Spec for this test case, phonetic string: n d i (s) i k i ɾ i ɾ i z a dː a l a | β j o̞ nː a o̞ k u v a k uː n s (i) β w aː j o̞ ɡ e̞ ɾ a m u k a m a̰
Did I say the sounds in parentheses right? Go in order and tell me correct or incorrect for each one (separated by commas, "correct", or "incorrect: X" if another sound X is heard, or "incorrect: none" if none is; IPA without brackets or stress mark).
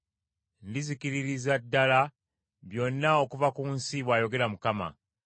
incorrect: z, correct